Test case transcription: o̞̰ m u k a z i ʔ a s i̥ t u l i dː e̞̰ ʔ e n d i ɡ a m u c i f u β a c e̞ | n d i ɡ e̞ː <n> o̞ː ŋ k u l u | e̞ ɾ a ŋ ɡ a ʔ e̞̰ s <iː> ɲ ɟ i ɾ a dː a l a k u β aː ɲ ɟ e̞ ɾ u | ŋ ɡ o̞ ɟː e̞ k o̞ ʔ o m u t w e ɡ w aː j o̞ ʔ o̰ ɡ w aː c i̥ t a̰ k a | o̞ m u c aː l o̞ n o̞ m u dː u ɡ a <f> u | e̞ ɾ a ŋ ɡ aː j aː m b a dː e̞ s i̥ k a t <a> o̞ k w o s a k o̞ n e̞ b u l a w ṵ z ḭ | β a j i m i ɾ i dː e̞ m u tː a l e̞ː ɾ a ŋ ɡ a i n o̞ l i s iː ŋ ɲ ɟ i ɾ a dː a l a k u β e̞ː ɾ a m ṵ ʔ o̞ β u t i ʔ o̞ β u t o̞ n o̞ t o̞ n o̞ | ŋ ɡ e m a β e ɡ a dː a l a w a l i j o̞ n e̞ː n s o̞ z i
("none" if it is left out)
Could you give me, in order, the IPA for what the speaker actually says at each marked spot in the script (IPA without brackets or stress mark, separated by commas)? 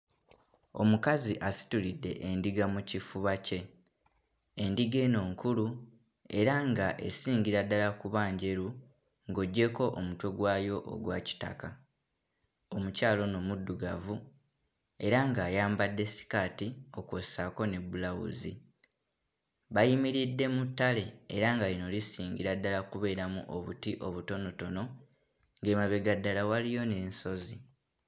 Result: n, iː, v, i